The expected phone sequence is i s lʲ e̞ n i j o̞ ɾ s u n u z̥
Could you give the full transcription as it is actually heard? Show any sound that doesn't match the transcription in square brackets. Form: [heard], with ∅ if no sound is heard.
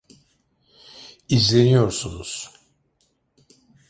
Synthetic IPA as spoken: i [z] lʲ e̞ n i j o̞ ɾ s u n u z̥